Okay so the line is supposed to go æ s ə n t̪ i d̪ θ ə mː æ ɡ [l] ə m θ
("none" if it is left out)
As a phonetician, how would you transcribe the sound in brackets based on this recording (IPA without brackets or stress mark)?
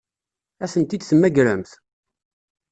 ɾ